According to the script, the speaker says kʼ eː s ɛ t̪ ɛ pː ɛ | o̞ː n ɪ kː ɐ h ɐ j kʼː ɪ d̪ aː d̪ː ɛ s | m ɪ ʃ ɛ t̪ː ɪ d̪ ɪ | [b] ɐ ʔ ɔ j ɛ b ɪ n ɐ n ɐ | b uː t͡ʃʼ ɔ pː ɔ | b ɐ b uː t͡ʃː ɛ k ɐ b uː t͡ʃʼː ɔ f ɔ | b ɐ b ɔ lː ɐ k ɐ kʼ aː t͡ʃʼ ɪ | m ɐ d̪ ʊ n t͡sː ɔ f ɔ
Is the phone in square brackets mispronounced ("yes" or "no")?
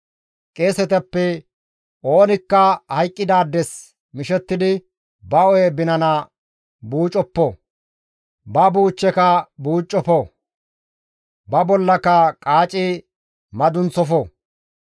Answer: no